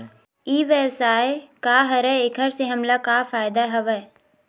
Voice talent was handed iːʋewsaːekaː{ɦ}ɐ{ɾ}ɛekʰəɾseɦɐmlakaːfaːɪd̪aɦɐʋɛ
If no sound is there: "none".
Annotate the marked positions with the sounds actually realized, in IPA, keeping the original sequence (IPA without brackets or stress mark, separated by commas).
ɦ, ɾ